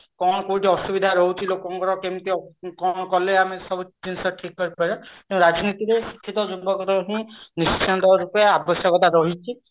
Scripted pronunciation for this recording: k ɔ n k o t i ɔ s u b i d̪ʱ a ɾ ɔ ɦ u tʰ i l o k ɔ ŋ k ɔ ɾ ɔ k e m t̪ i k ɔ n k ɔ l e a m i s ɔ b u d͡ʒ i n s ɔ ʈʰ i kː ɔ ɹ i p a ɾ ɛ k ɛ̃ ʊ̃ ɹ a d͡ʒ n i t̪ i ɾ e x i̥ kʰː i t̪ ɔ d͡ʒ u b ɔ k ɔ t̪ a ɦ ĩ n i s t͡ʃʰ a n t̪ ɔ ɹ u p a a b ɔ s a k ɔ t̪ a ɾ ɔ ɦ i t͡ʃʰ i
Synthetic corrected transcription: k ɔ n k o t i ɔ s u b i d̪ʱ a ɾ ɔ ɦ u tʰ i l o k ɔ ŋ k ɔ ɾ ɔ k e m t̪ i k ɔ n k ɔ l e a m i s ɔ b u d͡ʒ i n s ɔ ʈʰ i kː ɔ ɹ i p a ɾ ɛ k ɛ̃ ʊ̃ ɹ a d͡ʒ n i t̪ i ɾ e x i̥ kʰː i t̪ ɔ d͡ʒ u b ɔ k ɔ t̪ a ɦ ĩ n i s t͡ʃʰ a n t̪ ɔ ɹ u p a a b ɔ s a k ɔ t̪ a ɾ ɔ ɦ i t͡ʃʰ i